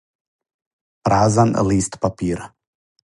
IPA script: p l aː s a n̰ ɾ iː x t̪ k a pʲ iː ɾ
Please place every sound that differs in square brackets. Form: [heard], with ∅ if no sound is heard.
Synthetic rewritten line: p [ɾ] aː [z] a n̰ [l] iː [s] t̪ [p] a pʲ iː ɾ